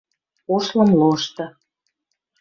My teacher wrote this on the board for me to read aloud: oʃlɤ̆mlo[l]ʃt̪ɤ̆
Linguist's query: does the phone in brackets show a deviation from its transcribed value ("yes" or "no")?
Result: yes